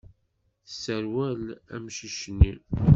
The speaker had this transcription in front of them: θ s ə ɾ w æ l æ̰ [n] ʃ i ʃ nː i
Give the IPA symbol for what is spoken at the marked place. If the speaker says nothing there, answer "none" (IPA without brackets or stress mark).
m